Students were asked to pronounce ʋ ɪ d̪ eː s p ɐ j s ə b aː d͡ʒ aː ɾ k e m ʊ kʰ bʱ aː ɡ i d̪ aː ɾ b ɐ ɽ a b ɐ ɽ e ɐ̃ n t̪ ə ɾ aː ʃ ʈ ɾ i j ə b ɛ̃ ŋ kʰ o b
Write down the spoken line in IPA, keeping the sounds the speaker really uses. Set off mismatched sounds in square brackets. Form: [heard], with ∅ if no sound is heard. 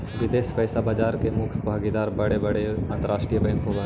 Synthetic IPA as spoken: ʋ ɪ d̪ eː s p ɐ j s [a] b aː d͡ʒ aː ɾ k e m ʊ kʰ bʱ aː ɡ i d̪ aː ɾ b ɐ ɽ [e] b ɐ ɽ e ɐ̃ n t̪ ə ɾ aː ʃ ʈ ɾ i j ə b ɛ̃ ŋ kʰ o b